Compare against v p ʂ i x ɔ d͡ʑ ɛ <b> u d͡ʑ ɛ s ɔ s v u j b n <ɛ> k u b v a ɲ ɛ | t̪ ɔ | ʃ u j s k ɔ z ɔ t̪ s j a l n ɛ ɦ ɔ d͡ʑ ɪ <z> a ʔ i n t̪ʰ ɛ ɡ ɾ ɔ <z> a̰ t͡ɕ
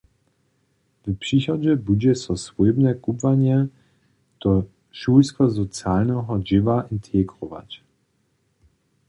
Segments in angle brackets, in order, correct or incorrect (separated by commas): correct, correct, incorrect, incorrect